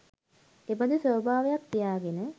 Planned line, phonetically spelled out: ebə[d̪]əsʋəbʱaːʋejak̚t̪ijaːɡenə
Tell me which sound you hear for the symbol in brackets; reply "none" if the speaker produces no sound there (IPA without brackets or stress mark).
d̪